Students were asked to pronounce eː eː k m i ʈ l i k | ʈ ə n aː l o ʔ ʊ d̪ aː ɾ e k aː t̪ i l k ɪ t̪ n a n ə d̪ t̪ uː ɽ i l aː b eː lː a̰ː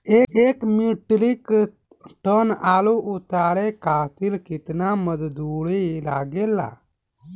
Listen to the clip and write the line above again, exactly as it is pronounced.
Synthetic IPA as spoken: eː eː k m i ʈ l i k | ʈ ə n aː l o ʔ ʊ t̪ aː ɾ e k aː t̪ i l k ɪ t̪ n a m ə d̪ d̪ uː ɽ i l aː ɡ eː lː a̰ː